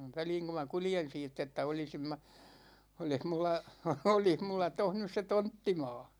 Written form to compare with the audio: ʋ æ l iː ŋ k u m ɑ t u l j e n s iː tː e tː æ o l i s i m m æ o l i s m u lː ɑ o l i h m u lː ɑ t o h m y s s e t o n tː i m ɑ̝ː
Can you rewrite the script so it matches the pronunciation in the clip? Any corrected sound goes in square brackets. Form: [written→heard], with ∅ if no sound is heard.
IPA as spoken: ʋ æ l iː ŋ k u m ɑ [t→k] u l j e n s iː tː e tː æ o l i s i m m æ o l i [s→h] m u lː ɑ o l i h m u lː ɑ t o h [m→n] y s s e t o n tː i m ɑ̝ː